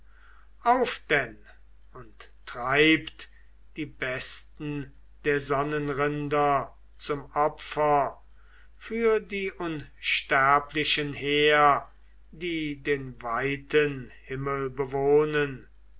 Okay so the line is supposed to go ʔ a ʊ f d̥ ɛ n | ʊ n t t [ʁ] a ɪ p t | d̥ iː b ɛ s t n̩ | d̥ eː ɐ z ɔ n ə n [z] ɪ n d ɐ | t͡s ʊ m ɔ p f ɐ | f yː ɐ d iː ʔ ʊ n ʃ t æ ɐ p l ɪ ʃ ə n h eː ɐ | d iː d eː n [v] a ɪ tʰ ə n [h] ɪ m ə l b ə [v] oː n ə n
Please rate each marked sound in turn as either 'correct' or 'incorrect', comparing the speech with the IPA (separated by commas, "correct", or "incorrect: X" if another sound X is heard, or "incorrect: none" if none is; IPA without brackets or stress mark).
correct, incorrect: ʁ, correct, correct, correct